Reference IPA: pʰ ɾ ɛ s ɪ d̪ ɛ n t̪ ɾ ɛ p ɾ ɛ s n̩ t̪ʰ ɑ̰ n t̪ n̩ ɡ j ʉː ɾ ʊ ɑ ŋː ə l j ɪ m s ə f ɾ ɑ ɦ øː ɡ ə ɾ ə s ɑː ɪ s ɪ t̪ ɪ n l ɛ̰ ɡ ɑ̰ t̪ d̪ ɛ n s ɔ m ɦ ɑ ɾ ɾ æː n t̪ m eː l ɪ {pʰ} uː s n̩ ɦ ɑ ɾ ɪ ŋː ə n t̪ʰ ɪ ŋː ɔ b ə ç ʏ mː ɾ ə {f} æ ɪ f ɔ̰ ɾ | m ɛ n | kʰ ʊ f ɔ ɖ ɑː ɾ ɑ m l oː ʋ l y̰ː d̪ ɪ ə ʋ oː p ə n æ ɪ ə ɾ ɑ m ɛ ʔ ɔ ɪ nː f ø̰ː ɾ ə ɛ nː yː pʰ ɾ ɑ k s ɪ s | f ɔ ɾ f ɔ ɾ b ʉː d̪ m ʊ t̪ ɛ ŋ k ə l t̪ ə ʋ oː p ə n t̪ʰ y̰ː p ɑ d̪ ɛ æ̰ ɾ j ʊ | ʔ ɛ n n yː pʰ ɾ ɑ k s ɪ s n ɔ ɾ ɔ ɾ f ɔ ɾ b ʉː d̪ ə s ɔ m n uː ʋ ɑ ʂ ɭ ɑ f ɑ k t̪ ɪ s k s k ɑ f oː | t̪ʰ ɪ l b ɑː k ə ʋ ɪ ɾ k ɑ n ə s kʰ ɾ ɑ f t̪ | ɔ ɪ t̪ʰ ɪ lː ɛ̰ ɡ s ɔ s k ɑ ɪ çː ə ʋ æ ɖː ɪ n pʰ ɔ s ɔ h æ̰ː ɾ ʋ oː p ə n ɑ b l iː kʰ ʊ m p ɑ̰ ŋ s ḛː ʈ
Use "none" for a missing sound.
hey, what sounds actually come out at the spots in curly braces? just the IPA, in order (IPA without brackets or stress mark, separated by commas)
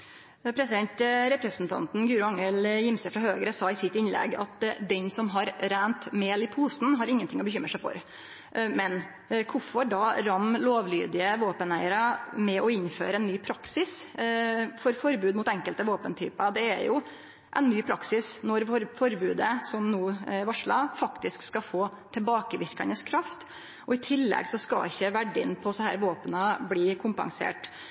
pʰ, ʂ